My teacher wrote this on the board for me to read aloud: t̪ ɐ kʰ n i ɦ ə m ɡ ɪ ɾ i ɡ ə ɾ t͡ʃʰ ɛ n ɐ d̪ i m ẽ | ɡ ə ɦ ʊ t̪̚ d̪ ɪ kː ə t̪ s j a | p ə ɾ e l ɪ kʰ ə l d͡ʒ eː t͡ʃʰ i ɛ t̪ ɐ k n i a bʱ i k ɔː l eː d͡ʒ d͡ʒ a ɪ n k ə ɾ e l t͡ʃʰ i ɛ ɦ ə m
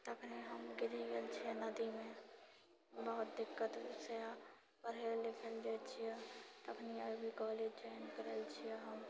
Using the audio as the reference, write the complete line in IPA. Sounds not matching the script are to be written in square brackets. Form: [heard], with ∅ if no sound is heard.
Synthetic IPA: t̪ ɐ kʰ n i ɦ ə m ɡ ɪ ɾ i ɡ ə [l] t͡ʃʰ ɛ n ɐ d̪ i m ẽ | [b] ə ɦ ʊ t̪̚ d̪ ɪ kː ə t̪ s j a | p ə ɾ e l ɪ kʰ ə l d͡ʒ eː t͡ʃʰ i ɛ t̪ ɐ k n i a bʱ i k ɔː l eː d͡ʒ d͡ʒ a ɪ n k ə ɾ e l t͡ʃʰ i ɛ ɦ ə m